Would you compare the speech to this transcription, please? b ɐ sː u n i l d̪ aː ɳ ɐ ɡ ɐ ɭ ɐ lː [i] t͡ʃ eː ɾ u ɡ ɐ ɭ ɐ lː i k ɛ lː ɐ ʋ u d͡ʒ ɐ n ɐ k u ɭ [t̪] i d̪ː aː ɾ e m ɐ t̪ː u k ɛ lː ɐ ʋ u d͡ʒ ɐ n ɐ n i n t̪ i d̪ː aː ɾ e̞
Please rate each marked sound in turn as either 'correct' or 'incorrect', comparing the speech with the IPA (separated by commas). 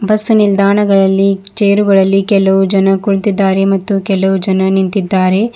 correct, correct